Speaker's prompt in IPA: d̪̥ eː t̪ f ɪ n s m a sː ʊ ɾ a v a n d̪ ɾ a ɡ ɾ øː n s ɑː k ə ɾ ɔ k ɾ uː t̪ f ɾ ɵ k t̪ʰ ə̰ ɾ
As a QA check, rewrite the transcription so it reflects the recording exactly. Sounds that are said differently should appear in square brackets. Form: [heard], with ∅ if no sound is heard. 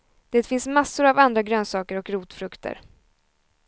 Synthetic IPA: d̪̥ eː t̪ f ɪ n s m a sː ʊ ɾ a v a n d̪ ɾ a ɡ ɾ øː n s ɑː k ə ɾ ɔ k ɾ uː t̪ f ɾ ɵ k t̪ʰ ə̰ ɾ